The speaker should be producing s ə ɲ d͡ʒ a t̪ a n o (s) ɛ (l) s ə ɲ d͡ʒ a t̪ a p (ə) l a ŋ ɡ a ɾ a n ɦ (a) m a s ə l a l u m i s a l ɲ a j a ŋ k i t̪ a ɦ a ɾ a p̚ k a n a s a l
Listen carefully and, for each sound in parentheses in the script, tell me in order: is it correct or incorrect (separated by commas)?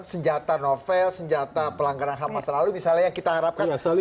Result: incorrect, correct, correct, correct